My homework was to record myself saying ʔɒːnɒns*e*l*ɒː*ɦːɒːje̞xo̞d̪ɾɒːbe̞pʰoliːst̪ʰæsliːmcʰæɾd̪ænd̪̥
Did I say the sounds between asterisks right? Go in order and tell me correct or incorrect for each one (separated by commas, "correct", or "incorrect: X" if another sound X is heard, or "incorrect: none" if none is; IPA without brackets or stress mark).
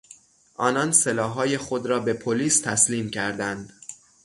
correct, correct